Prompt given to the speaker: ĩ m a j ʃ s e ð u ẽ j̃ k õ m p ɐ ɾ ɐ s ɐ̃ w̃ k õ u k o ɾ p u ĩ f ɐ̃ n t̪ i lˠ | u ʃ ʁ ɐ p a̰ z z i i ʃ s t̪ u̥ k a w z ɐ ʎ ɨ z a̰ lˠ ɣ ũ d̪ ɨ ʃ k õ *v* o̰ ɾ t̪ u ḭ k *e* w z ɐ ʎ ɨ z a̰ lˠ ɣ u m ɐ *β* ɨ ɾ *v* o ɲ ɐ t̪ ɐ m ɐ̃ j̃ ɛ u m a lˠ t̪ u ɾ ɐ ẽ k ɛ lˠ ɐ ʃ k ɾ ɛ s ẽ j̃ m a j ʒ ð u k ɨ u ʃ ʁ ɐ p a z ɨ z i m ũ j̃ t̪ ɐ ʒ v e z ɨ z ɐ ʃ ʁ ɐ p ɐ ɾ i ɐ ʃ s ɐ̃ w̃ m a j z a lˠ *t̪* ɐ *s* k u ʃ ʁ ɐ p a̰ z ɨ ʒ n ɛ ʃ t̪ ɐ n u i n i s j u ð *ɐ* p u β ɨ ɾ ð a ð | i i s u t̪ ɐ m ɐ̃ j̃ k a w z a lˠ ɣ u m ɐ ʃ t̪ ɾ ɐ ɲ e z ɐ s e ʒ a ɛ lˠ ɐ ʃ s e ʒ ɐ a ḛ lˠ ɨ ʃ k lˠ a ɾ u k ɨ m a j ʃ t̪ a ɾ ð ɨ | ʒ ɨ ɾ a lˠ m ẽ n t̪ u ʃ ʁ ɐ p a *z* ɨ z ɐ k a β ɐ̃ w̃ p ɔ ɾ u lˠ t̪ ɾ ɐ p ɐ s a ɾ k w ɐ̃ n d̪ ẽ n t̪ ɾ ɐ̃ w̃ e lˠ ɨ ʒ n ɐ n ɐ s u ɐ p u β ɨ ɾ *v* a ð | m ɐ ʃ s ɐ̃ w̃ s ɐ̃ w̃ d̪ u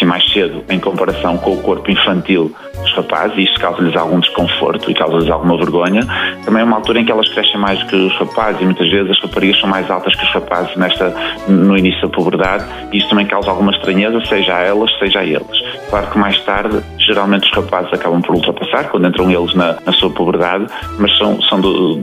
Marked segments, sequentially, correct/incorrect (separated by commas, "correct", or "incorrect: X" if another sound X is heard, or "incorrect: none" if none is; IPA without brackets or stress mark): incorrect: f, incorrect: a, incorrect: v, incorrect: ɣ, correct, incorrect: ʃ, correct, correct, incorrect: ð